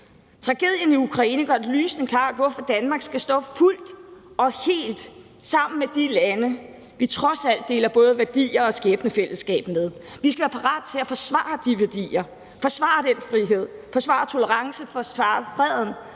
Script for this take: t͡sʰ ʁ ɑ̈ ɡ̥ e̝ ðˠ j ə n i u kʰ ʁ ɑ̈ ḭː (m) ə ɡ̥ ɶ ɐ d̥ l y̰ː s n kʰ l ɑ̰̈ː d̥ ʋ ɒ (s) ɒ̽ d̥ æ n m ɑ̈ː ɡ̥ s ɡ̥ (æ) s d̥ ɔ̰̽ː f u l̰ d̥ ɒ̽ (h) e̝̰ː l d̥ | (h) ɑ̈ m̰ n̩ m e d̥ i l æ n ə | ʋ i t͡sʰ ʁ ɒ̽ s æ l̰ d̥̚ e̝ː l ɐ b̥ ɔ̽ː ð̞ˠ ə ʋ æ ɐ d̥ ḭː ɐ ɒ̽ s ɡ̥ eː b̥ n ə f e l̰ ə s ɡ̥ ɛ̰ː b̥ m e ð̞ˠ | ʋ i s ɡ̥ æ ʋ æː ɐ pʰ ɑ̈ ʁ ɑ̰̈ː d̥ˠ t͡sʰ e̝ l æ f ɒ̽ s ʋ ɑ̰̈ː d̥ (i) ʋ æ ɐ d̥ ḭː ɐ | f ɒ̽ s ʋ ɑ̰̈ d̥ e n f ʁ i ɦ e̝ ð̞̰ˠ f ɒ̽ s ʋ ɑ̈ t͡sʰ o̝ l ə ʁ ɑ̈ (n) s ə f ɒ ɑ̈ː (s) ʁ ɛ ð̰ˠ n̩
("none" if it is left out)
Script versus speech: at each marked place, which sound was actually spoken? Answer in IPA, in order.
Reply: n, f, æ, h, s, i, ŋ, f

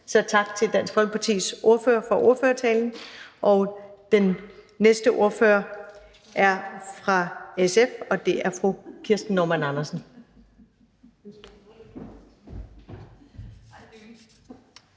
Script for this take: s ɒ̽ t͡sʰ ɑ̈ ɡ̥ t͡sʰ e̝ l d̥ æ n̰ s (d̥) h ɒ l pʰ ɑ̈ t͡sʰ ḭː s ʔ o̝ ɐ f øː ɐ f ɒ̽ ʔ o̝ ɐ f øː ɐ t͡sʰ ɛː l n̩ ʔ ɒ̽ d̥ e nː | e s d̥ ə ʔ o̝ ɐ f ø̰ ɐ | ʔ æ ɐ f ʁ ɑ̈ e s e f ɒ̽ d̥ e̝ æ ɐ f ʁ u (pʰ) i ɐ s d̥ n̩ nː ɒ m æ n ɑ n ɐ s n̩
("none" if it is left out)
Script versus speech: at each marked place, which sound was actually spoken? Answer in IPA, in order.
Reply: ɡ̥, kʰ

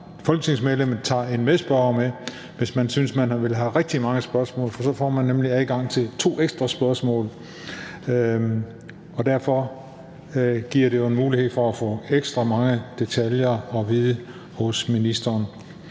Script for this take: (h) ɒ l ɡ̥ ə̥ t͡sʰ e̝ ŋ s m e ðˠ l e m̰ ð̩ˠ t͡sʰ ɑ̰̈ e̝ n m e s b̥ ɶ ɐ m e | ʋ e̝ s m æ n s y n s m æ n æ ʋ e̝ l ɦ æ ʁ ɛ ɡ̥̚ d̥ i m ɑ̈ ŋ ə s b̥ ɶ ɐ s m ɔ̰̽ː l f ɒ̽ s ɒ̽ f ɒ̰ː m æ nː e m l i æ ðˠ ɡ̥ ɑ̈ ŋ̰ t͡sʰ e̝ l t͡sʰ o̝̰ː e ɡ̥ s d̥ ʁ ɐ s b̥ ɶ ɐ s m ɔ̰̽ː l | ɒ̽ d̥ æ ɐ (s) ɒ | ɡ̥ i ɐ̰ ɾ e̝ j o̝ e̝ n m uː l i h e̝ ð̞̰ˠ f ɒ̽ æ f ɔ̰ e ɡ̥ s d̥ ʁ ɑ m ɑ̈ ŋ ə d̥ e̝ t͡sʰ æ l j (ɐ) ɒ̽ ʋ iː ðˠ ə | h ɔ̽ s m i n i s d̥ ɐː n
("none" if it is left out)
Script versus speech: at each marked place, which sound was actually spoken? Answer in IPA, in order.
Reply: f, f, ɐ

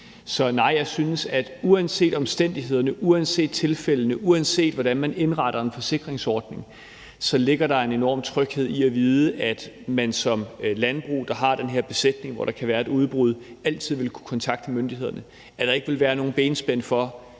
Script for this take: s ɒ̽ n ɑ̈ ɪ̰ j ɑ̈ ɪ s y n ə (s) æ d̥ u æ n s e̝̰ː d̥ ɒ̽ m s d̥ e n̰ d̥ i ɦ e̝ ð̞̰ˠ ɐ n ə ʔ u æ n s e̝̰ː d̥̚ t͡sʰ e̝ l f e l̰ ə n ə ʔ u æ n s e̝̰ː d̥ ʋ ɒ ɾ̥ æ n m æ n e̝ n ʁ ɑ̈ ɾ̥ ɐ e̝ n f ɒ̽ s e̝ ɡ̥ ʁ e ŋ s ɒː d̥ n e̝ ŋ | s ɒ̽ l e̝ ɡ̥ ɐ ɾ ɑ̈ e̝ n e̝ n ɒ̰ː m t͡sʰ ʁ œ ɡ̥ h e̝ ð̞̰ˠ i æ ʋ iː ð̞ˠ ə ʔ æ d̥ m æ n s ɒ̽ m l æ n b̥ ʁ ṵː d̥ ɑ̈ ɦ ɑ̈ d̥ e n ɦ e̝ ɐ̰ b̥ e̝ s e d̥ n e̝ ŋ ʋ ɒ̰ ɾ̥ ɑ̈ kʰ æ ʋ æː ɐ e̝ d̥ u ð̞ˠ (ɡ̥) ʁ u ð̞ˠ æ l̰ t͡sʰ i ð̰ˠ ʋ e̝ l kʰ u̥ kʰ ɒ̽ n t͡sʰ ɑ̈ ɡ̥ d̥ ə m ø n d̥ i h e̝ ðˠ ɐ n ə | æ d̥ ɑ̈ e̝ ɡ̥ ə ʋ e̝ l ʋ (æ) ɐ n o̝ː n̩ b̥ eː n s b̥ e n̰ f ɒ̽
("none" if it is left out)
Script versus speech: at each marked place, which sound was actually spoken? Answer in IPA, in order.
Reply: s, b̥, æː

